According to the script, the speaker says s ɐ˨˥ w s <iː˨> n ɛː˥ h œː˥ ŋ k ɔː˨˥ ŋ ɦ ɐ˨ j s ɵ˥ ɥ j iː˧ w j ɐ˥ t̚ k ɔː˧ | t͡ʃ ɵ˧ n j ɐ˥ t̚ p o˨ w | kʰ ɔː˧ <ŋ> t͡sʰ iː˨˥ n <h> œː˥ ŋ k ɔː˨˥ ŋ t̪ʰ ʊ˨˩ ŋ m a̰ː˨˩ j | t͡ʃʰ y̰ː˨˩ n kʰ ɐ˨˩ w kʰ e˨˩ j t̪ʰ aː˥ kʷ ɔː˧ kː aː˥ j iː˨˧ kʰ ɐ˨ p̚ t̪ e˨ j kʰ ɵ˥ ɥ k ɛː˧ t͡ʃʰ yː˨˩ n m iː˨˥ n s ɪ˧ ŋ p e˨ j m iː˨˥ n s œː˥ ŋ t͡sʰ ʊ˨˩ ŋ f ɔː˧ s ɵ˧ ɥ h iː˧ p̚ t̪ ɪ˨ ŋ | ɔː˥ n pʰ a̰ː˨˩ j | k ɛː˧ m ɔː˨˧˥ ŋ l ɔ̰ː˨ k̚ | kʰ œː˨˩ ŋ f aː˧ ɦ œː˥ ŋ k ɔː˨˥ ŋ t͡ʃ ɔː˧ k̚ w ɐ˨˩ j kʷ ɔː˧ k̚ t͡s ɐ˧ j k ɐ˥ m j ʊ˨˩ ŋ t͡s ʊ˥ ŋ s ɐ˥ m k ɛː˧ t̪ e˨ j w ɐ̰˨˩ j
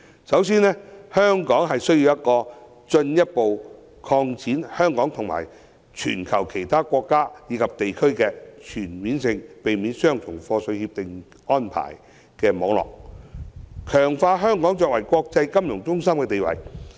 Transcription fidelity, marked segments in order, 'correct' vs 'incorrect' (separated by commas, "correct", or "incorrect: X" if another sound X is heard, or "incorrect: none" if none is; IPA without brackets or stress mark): incorrect: iː˥, correct, correct